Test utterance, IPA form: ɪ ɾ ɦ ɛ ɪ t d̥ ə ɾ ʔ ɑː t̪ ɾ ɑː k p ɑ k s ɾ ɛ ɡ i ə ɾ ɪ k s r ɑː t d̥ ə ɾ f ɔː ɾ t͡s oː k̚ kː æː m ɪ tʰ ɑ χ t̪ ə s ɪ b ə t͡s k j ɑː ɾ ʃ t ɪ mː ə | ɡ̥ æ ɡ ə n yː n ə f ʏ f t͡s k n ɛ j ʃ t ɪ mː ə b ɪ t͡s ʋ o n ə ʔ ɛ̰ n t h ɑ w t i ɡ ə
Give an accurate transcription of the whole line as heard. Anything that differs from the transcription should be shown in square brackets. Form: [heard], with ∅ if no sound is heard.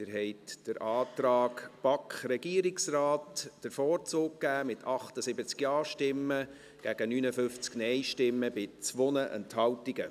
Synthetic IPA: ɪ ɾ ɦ ɛ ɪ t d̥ ə ɾ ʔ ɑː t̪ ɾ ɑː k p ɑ k [χ] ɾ ɛ ɡ i ə ɾ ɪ k s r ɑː t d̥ ə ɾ f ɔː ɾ t͡s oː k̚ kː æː m ɪ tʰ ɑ χ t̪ ə s ɪ b ə t͡s k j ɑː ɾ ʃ t ɪ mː ə | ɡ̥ æ ɡ ə n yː n ə f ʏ f t͡s k n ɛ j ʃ t ɪ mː ə b ɪ t͡s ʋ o n ə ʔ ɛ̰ n t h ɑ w t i ɡ ə

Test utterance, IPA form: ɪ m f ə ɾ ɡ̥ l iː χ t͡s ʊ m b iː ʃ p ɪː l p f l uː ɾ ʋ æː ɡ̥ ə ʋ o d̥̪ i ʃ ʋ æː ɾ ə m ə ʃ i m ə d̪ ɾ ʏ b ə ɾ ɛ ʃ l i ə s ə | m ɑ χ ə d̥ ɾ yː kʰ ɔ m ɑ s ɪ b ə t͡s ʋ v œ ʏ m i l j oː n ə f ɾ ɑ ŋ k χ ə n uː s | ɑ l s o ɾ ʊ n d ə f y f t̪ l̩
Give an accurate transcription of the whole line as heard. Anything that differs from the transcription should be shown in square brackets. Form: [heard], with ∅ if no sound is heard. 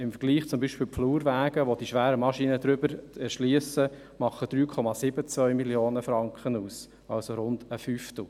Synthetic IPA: ɪ m f ə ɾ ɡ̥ l iː χ t͡s ʊ m b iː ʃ p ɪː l p f l uː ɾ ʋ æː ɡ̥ ə ʋ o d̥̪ i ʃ ʋ æː ɾ ə m [ɑ] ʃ i [n] ə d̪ ɾ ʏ b ə ɾ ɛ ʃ l i ə s ə | m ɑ χ ə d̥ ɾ yː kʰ ɔ m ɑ s ɪ b ə t͡s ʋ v œ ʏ m i l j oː n ə f ɾ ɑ ŋ k χ ə n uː s | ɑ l s o ɾ ʊ n d ə f y f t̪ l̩

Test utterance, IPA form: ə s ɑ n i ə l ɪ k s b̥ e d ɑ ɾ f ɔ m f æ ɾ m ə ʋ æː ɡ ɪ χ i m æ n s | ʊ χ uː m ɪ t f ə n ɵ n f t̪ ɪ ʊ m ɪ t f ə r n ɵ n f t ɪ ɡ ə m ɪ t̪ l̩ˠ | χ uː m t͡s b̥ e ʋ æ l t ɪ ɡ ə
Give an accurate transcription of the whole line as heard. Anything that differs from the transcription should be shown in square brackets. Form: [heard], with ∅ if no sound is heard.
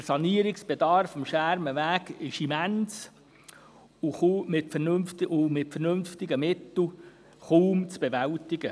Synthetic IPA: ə s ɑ n i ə [ɾ] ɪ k s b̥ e d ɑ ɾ f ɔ m [ʃ] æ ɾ m ə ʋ æː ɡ ɪ [ʃ] i m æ n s | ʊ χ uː m ɪ t f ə n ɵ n f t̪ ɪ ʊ m ɪ t f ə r n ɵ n f t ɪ ɡ ə m ɪ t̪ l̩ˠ | χ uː m t͡s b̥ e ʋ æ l t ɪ ɡ ə

